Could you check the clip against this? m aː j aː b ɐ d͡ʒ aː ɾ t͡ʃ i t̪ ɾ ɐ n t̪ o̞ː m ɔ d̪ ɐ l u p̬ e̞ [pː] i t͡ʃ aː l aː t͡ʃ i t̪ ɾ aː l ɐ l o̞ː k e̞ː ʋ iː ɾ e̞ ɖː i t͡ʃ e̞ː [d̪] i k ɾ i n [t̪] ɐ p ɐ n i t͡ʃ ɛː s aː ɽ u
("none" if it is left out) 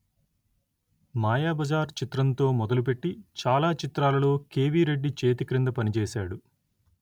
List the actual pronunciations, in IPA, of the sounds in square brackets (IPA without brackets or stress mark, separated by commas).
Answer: ʈː, t̪, d̪